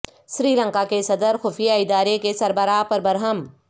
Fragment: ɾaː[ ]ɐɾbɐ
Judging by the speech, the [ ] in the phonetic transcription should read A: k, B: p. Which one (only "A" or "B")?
B